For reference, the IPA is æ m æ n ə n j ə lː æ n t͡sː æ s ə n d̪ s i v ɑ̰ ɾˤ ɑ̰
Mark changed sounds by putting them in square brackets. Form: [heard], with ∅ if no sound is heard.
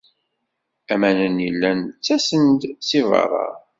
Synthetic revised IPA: æ m æ n ə n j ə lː æ n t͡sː æ s ə n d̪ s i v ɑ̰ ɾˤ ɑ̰